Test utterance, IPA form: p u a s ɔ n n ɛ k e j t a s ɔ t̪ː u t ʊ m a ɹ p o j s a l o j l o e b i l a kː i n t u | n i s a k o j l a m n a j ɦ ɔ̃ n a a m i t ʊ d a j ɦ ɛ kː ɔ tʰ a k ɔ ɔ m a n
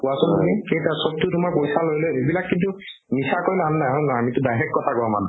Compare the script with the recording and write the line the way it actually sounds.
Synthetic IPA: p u a s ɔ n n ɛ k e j t a s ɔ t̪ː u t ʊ m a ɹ p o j s a l o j l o e b i l a kː i n t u | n i s a k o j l a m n a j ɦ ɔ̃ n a a m i t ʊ d a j ɦ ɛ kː ɔ tʰ a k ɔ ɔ m a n

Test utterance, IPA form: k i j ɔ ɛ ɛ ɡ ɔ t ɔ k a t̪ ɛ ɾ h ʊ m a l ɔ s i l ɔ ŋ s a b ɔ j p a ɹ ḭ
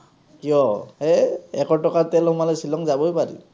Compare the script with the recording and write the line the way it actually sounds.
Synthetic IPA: k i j ɔ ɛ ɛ k ɔ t ɔ k a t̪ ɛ l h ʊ m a l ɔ s i l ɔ ŋ z a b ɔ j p a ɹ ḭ

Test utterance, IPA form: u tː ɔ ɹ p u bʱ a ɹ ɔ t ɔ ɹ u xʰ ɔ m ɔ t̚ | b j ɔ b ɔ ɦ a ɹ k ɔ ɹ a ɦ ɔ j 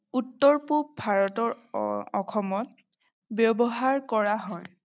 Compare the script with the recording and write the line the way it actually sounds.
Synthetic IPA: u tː ɔ ɹ p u bʱ a ɹ ɔ t ɔ ɹ ɔ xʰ ɔ m ɔ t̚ | b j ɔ b ɔ ɦ a ɹ k ɔ ɹ a ɦ ɔ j

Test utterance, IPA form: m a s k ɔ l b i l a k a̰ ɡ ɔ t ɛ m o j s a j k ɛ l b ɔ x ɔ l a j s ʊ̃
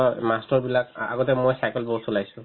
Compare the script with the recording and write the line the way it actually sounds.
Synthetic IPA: m a s t ɔ ɹ b i l a k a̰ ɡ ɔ t ɛ m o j s a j k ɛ l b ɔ s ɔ l a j s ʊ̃

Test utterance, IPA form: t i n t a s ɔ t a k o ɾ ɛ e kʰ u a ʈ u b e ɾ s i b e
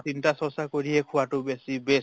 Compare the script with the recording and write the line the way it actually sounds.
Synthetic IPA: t i n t a s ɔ s a k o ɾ i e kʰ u a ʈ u b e s i b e

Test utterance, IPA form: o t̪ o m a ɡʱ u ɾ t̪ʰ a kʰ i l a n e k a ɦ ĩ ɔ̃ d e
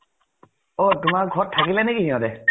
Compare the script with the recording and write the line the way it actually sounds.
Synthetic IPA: o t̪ u m a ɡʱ ɔ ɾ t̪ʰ a k i l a n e k i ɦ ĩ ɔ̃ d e

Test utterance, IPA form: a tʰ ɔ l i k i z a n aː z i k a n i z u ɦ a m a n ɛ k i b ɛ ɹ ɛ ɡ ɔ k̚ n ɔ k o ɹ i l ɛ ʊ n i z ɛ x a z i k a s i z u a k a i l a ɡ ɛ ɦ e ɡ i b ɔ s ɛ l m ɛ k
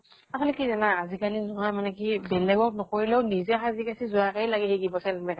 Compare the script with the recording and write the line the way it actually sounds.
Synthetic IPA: a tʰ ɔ l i k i z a n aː z i k a n i z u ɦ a m a n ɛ k i b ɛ l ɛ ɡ ɔ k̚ n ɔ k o ɹ i l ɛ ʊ n i z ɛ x a z i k a s i z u a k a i l a ɡ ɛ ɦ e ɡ i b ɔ s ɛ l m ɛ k

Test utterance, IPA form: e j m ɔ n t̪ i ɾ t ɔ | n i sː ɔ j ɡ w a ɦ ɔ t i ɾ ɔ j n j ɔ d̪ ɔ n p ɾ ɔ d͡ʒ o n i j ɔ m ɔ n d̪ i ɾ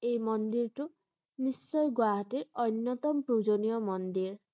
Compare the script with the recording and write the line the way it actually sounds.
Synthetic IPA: e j m ɔ n d̪ i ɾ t u | n i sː ɔ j ɡ w a ɦ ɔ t i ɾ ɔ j n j ɔ t̪ ɔ m p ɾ u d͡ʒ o n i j ɔ m ɔ n d̪ i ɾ

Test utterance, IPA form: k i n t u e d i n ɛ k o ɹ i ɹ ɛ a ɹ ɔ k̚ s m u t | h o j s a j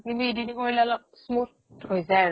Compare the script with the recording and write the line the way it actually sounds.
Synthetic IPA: k i n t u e d i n i k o ɹ i l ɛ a l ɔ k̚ s m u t | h o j z a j

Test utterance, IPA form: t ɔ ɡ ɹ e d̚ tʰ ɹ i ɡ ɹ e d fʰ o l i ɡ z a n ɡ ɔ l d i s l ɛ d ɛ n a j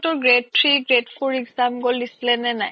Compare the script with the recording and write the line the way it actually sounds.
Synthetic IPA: t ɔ ɡ ɹ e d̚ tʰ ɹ i ɡ ɹ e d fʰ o ɹ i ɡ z a m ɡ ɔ l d i s l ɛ n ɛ n a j

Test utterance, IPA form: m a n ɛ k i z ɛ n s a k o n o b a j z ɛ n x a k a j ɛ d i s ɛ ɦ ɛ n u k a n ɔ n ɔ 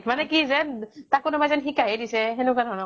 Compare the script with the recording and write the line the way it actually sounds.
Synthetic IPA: m a n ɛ k i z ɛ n t a k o n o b a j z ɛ n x i k a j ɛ d i s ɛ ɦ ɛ n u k a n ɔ n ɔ

